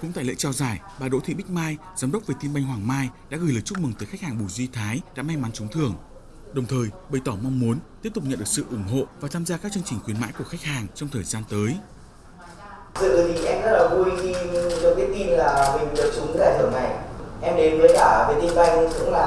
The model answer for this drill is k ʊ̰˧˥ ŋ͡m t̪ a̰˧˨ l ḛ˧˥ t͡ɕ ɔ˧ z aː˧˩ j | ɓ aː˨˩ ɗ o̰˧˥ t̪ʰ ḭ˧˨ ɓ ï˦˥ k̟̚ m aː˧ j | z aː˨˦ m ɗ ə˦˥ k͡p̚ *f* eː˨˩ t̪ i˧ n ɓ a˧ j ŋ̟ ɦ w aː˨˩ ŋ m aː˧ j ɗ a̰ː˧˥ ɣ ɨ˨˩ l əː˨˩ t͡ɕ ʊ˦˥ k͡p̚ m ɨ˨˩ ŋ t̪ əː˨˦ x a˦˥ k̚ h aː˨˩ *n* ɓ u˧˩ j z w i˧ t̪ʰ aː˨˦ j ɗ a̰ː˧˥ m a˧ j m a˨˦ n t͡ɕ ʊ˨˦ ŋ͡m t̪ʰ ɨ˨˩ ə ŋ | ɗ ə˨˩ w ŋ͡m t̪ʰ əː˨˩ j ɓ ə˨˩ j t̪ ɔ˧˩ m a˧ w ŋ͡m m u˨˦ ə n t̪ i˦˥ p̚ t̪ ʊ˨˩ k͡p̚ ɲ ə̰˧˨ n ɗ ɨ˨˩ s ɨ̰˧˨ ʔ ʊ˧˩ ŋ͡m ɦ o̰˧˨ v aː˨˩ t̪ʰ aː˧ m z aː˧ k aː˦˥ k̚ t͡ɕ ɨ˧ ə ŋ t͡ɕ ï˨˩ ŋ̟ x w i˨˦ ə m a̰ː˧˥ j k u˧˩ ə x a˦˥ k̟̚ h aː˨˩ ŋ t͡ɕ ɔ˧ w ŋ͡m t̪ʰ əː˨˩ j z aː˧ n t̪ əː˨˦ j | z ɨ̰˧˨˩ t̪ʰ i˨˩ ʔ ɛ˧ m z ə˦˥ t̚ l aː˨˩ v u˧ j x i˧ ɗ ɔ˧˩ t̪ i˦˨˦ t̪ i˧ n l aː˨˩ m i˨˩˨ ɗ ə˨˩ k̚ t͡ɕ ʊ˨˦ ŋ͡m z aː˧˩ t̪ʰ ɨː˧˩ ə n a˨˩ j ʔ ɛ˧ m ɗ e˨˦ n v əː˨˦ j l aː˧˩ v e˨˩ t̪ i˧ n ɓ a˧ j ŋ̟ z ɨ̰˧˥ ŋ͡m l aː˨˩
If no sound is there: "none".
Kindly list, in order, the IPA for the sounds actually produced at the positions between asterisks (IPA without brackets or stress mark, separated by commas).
v, ŋ